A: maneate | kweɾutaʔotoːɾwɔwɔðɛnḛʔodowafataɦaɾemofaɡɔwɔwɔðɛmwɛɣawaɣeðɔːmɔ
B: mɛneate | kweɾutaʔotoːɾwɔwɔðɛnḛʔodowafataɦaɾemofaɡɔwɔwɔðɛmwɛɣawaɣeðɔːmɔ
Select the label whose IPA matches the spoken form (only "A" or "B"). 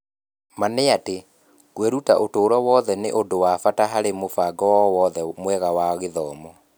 A